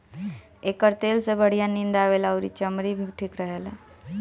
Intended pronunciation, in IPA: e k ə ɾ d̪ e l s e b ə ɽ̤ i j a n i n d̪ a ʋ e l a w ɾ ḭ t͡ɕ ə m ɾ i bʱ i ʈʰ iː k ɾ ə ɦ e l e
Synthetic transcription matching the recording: e k ə ɾ t̪ e l s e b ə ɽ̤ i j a n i n d̪ a ʋ e l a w ɾ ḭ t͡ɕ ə m ɾ i bʱ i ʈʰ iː k ɾ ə ɦ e l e

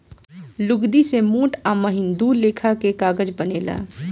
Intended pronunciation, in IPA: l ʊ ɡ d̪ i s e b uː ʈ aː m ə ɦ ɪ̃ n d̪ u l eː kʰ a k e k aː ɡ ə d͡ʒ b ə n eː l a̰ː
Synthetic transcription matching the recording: l ʊ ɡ d̪ i s e m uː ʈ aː m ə ɦ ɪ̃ n d̪ u l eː kʰ a k e k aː ɡ ə d͡ʒ b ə n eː l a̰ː

